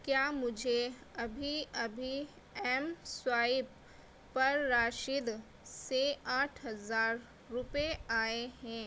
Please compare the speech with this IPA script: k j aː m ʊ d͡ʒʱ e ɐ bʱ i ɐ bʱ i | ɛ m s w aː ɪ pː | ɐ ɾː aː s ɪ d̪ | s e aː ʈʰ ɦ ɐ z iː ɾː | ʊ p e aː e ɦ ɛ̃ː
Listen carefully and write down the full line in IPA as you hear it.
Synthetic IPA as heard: k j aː m ʊ d͡ʒʱ e ɐ bʱ i ɐ bʱ i | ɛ m s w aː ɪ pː | ɐ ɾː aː ʃ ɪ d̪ | s e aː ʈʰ ɦ ɐ z aː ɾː | ʊ p e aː e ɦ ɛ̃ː